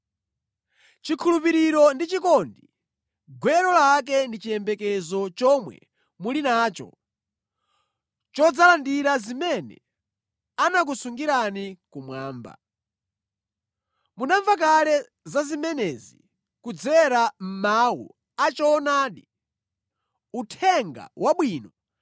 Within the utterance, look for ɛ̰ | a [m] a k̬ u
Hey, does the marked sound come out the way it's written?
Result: no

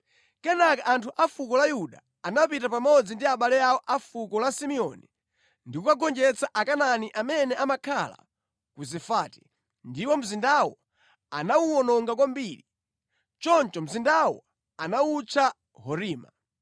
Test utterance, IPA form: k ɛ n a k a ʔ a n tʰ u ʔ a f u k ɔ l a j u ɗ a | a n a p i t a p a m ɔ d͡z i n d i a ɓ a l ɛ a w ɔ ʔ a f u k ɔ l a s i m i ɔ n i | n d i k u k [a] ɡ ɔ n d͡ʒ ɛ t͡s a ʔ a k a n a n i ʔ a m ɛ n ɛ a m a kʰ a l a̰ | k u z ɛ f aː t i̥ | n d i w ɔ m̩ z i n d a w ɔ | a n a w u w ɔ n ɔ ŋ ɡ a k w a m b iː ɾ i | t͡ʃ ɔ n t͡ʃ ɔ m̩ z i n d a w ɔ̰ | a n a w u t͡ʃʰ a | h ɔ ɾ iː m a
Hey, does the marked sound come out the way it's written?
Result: yes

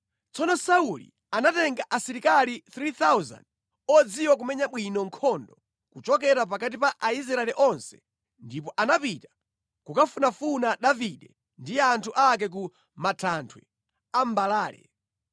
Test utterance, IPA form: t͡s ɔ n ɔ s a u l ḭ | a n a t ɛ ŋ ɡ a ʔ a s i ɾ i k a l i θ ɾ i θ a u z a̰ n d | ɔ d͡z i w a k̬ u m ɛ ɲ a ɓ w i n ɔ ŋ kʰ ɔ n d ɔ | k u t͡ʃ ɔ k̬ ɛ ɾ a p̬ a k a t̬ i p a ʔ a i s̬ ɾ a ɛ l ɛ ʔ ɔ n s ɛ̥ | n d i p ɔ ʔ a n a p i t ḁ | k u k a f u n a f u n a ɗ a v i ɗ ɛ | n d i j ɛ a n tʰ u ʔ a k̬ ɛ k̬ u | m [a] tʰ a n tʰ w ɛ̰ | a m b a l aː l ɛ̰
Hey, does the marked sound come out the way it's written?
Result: yes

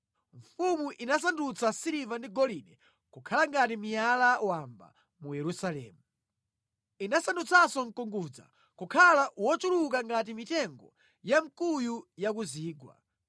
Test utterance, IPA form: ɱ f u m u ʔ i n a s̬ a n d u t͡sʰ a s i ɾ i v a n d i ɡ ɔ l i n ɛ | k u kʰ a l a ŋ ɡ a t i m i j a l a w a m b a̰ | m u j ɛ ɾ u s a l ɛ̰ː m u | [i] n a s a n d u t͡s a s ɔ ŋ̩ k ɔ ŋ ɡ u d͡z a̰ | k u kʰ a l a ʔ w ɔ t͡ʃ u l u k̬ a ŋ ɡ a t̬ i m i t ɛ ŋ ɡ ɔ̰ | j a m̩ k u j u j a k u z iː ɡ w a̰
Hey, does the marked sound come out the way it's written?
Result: yes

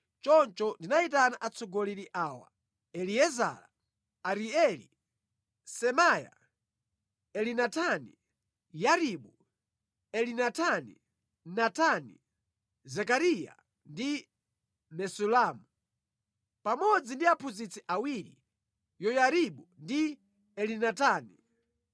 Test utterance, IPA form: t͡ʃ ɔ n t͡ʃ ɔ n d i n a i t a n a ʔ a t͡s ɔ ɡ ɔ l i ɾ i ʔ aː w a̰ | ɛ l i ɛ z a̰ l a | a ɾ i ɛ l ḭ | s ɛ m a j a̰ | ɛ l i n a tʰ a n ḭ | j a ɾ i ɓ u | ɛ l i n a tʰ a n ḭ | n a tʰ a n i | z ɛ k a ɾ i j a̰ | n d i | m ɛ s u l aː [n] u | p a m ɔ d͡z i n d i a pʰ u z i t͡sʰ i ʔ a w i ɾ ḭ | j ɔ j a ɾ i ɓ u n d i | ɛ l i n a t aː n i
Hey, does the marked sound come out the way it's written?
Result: no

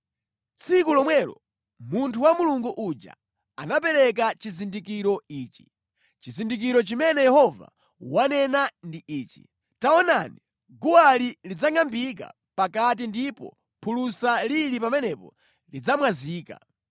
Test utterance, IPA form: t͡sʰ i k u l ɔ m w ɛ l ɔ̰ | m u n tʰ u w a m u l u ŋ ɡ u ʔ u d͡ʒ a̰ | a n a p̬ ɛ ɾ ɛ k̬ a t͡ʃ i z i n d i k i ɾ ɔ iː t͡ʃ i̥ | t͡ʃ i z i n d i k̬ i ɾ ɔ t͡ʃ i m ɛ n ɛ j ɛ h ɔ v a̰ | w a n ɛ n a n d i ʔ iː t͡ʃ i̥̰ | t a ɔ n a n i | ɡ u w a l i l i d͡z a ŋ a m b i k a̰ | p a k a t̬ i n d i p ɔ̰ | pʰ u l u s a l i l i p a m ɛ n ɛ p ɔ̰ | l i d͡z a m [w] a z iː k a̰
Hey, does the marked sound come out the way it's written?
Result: yes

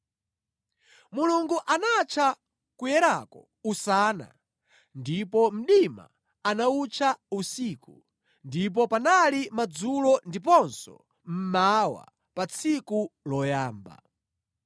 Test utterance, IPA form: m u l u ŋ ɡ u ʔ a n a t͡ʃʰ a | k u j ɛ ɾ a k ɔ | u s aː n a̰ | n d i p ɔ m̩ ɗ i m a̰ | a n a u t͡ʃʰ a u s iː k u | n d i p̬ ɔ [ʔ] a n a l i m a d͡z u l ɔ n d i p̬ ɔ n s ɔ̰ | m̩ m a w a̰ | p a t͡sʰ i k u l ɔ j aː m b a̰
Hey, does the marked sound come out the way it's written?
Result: no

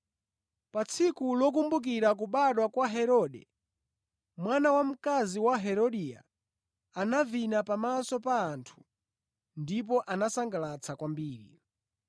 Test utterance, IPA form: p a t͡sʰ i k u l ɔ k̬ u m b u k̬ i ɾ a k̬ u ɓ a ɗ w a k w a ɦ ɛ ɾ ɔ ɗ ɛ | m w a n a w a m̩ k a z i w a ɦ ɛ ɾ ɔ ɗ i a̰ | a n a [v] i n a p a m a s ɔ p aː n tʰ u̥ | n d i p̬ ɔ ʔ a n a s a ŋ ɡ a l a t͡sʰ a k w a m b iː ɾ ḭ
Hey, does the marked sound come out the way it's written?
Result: yes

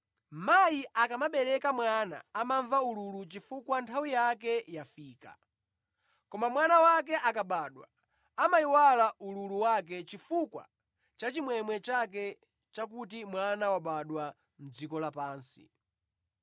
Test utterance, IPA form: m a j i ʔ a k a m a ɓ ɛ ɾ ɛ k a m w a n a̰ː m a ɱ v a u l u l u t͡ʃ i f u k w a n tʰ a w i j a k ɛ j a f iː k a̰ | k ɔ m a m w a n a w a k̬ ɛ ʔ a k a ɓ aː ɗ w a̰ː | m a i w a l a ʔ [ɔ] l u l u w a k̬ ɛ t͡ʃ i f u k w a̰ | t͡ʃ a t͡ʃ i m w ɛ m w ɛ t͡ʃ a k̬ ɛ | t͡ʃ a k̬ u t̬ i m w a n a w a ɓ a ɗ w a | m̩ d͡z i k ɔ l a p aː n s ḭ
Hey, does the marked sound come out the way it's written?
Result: no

